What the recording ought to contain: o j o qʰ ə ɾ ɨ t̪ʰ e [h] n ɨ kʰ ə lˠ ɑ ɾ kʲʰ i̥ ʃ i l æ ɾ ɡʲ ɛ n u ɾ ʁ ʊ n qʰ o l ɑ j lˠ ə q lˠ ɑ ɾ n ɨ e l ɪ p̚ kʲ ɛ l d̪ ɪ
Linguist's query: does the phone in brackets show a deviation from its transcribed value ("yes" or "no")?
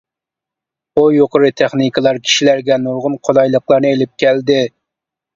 yes